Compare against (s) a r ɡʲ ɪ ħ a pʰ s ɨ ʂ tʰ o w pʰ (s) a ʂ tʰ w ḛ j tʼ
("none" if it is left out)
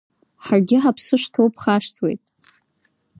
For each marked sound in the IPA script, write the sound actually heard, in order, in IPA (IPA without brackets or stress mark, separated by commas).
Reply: ħ, χ